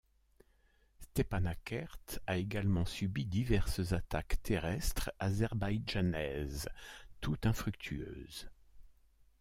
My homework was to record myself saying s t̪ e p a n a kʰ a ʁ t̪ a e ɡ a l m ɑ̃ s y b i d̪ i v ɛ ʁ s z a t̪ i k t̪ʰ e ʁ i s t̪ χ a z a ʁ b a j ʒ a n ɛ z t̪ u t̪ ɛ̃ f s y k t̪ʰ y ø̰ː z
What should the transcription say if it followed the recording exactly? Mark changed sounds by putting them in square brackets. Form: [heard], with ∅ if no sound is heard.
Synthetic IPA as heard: s t̪ e p a n a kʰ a ʁ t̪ a e ɡ a l m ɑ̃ s y b i d̪ i v ɛ ʁ s z a t̪ [a] k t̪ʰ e ʁ [ɛ] s t̪ χ a z [ɛ] ʁ b a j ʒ a n ɛ z t̪ u t̪ ɛ̃ f [χ] y k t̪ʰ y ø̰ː z